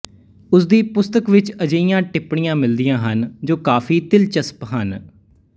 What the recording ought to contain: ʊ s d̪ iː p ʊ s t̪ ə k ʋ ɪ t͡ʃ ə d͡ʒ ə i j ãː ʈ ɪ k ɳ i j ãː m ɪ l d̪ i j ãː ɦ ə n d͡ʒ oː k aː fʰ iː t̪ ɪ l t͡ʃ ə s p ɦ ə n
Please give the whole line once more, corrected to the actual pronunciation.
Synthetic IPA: ʊ s d̪ iː p ʊ s t̪ ə k ʋ ɪ t͡ʃ ə d͡ʒ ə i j ãː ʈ ɪ p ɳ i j ãː m ɪ l d̪ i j ãː ɦ ə n d͡ʒ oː k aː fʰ iː t̪ ɪ l t͡ʃ ə s p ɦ ə n